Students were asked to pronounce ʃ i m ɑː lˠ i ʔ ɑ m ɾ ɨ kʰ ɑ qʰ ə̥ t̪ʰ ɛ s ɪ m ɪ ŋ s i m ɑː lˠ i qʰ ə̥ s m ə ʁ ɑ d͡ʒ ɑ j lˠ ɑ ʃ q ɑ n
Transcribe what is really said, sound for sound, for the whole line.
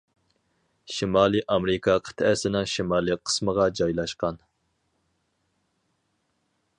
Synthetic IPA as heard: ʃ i m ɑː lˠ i ʔ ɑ m ɾ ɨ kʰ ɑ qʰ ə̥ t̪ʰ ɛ s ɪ n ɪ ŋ ʃ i m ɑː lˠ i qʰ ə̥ s m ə ʁ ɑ d͡ʒ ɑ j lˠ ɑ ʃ q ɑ n